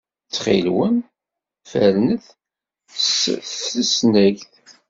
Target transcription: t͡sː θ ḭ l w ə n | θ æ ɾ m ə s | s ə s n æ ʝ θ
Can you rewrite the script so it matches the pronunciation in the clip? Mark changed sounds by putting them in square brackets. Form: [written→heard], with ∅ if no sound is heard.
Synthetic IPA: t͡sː [θ→χ] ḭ l w ə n | [θ→f] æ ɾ [m→n] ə [s→θ] | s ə s n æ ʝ θ